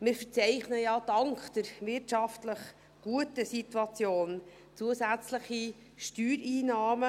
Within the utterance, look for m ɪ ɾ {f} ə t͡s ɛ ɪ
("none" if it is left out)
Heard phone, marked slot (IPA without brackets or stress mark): f